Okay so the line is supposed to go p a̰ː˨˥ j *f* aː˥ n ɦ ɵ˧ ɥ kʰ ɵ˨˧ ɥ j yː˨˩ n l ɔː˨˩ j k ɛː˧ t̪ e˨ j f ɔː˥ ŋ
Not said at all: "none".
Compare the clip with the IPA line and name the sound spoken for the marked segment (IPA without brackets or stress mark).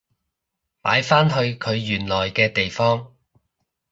f